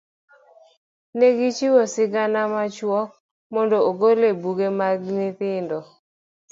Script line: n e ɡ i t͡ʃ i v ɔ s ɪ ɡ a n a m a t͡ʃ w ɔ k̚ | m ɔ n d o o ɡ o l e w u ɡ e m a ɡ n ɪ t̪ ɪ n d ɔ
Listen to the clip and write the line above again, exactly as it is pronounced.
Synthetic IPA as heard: n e ɡ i t͡ʃ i w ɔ s ɪ ɡ a n a m a t͡ʃ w ɔ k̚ | m ɔ n d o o ɡ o l e b u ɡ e m a ɡ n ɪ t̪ ɪ n d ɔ